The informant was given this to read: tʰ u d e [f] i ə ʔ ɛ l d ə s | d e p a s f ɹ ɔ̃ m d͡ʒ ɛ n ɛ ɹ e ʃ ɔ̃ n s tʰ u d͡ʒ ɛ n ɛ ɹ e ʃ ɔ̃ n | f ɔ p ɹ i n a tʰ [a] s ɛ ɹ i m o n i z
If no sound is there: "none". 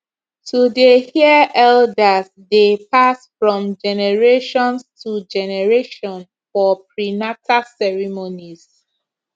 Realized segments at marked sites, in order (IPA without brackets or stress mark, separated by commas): h, a